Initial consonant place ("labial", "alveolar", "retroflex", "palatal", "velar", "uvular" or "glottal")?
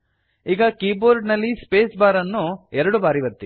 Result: velar